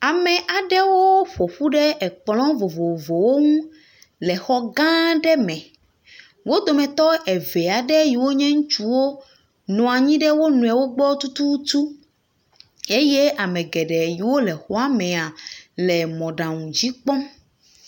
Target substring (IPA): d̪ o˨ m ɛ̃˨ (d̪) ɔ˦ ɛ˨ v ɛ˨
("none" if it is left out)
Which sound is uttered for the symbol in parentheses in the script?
t̪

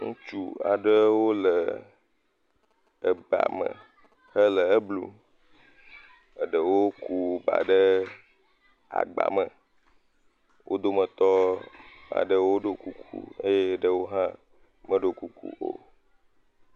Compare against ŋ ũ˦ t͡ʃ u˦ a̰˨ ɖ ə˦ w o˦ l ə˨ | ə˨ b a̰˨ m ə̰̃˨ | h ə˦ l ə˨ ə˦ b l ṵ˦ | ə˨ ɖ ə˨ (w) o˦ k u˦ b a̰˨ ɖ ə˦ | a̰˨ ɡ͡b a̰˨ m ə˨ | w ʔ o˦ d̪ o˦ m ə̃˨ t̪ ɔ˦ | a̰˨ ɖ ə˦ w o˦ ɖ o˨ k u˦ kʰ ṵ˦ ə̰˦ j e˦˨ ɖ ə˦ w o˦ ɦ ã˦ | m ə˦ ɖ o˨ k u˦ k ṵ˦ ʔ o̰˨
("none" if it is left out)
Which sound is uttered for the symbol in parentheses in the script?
w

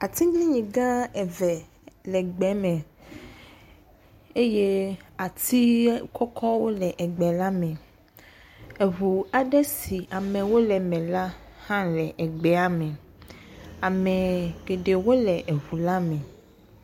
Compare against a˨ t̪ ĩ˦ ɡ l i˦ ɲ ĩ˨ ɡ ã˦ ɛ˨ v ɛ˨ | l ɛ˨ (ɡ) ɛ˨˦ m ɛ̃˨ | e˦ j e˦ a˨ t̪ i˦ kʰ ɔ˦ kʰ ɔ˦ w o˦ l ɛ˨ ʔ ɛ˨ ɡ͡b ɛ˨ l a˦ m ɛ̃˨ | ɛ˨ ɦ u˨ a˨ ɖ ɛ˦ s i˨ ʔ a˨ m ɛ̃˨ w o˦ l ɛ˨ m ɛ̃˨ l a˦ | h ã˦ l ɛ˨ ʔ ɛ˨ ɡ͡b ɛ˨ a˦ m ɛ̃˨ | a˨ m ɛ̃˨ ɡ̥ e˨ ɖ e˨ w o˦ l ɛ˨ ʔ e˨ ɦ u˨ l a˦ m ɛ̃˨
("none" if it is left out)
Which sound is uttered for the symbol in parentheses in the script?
ɡ͡b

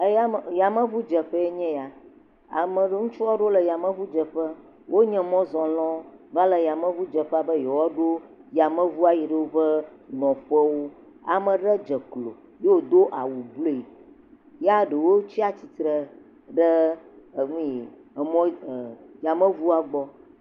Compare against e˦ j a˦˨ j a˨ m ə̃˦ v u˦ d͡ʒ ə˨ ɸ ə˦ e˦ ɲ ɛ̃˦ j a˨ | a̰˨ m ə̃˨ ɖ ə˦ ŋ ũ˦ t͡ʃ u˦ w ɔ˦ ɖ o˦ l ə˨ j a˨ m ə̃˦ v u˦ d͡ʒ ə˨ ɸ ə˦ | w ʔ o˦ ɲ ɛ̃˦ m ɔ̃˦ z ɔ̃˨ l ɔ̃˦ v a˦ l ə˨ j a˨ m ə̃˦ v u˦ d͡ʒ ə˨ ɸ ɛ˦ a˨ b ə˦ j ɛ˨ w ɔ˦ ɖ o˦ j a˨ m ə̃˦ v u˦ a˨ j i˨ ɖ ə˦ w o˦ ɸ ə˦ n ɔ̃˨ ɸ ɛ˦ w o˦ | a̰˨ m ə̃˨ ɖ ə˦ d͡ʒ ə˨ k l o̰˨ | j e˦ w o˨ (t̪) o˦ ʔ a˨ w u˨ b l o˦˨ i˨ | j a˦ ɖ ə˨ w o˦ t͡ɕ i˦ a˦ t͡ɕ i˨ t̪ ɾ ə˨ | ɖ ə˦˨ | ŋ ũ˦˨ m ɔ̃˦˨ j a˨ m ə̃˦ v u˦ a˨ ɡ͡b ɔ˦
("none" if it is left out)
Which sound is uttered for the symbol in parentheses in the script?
d̪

